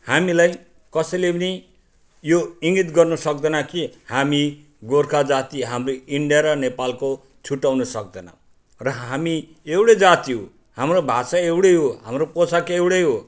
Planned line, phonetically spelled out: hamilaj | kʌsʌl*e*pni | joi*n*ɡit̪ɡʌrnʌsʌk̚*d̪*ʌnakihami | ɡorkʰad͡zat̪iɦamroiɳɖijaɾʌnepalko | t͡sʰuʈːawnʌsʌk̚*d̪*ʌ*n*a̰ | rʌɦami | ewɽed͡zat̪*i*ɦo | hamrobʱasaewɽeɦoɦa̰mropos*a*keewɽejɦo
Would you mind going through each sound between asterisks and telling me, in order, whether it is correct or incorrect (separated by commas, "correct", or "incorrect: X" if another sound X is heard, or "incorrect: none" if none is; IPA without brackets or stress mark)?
correct, incorrect: ŋ, correct, correct, correct, correct, correct